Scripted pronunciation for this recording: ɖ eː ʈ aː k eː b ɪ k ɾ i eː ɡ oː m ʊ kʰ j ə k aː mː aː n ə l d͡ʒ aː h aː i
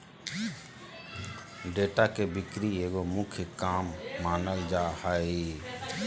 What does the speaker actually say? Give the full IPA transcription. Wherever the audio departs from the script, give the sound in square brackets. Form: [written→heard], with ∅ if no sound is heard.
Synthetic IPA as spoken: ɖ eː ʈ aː k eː b ɪ k ɾ i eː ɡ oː m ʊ kʰ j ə k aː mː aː n ə l d͡ʒ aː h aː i